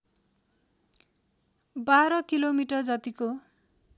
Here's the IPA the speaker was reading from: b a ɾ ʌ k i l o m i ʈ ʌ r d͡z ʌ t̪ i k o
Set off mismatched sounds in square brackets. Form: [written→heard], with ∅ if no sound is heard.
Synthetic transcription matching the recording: b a ɾ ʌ k i l o m i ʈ ʌ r d͡z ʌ t̪ i k o